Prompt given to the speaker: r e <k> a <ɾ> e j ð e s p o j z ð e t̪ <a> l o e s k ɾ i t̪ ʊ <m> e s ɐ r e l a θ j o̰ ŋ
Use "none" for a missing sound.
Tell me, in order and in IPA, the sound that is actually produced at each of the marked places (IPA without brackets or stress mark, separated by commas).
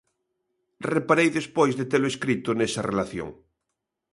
p, ɾ, e, n